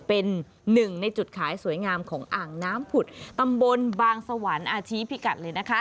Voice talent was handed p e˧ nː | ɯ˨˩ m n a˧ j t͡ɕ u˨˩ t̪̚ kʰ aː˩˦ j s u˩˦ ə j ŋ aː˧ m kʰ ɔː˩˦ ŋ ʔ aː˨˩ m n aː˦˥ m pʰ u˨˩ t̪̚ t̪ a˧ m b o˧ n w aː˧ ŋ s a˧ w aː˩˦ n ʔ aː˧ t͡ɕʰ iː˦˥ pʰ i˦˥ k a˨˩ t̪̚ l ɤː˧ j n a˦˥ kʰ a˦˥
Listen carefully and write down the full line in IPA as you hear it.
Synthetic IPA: p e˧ nː | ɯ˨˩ ŋ n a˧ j t͡ɕ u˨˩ t̪̚ kʰ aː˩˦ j s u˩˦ ə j ŋ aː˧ m kʰ ɔː˩˦ ŋ ʔ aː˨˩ ŋ n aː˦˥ m pʰ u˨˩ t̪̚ t̪ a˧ m b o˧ n b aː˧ ŋ s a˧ w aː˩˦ n ʔ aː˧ t͡ɕʰ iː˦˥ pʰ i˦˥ k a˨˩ t̪̚ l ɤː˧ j n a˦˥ kʰ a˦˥